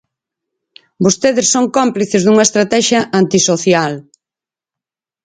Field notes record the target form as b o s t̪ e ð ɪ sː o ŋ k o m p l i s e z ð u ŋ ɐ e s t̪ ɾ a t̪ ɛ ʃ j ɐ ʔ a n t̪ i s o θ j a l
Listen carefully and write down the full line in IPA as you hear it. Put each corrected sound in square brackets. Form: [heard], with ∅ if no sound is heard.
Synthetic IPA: b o s t̪ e ð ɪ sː o ŋ k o m p l i [θ] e z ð u ŋ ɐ e s t̪ ɾ a t̪ ɛ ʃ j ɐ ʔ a n t̪ i s o θ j a l